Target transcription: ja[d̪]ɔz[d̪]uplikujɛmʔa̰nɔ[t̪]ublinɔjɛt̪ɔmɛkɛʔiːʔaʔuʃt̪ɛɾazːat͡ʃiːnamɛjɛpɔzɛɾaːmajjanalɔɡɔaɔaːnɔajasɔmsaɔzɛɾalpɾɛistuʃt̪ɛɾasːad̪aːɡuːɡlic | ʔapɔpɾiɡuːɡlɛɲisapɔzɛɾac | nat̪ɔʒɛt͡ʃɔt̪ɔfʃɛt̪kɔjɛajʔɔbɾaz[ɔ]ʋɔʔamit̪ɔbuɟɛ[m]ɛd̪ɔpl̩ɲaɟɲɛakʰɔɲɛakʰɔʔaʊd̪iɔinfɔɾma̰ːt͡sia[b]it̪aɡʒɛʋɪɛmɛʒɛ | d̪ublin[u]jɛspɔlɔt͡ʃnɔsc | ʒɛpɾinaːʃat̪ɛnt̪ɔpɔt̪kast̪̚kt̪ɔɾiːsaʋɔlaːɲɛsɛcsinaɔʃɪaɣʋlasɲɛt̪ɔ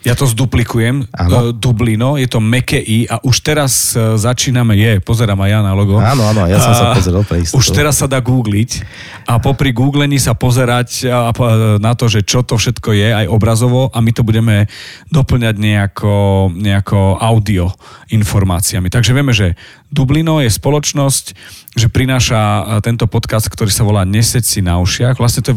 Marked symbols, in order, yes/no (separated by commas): no, yes, no, yes, yes, no, no